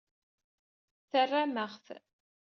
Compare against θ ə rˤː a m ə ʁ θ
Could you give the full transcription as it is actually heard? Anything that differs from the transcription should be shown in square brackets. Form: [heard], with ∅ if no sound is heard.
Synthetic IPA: θ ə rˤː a m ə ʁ θ